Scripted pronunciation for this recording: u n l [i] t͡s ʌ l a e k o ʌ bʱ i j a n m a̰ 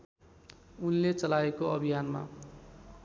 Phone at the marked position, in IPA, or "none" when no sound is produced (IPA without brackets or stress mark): e